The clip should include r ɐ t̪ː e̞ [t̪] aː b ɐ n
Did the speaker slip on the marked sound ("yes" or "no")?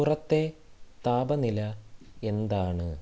no